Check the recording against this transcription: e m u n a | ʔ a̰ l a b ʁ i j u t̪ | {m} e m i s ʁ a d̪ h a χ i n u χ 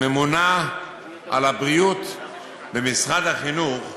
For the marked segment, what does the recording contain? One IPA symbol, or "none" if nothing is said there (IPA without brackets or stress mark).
b